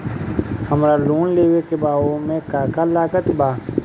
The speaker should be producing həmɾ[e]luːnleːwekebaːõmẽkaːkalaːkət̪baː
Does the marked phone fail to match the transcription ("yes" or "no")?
yes